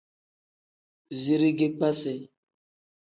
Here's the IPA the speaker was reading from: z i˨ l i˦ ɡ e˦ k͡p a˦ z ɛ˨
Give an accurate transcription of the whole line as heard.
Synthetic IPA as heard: z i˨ ɾ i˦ ɡ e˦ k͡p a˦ s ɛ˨